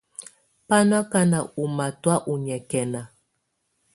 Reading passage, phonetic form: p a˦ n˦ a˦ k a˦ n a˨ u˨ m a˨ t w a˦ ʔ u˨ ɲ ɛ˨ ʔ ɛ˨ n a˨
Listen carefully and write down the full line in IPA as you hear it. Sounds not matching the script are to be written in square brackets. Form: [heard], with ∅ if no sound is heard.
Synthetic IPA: p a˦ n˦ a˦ k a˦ n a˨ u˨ m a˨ t w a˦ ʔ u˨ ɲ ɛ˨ [k] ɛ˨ n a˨